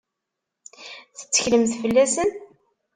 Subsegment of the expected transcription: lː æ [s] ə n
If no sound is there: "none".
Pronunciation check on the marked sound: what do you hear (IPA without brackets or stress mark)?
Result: s